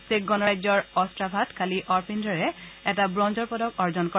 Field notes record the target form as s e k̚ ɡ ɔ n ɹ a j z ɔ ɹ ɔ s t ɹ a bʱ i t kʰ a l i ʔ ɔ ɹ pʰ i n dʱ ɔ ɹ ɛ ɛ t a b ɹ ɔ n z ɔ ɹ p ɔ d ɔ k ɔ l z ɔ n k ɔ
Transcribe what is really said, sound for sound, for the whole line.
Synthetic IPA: s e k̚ ɡ ɔ n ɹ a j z ɔ ɹ ɔ s t ɹ a bʱ a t kʰ a l i ʔ ɔ ɹ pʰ i n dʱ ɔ ɹ ɛ ɛ t a b ɹ ɔ n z ɔ ɹ p ɔ d ɔ k ɔ ɹ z ɔ n k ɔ